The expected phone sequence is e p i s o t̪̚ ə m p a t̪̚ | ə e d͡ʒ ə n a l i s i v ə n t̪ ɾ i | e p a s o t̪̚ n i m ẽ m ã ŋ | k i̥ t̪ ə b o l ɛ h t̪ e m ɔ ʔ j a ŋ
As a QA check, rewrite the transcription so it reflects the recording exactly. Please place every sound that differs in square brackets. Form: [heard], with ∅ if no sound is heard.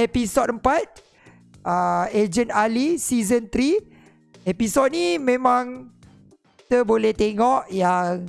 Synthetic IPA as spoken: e p i s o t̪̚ ə m p a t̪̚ | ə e d͡ʒ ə n a l i s i [z] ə n t̪ ɾ i | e p [i] s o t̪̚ n i m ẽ m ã ŋ | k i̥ t̪ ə b o l ɛ h t̪ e [ŋ] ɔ ʔ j a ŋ